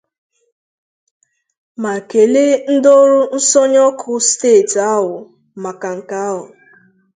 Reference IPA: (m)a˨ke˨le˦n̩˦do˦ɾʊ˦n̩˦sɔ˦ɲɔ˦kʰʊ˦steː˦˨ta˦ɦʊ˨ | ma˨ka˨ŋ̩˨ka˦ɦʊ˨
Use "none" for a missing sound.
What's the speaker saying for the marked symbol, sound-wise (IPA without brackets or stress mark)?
m